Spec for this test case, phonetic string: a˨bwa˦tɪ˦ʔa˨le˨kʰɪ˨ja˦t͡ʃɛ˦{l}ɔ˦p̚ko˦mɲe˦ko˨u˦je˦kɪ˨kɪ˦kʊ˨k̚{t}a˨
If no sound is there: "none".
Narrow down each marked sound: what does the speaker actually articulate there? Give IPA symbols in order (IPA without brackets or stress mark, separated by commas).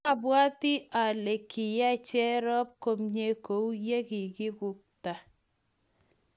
ɾ, t